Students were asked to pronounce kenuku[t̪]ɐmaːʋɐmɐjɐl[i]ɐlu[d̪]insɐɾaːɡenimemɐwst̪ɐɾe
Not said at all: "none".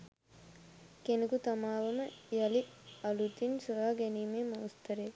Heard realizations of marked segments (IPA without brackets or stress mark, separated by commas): t̪, i, t̪